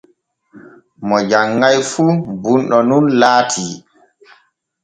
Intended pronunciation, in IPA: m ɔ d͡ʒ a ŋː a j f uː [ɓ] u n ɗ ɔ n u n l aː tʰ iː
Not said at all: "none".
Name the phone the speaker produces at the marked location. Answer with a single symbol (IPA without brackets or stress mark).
b